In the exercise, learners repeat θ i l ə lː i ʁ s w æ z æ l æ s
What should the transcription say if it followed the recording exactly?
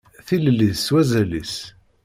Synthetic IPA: θ i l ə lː i ð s w æ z æ l i s